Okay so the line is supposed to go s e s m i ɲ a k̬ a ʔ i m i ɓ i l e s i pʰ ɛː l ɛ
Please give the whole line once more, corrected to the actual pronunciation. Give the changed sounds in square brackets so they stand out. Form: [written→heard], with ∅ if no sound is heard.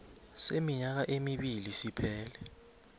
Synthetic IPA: s e [s→∅] m i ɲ a k̬ a ʔ [i→e] m i ɓ i l [e→i] s i pʰ ɛː l ɛ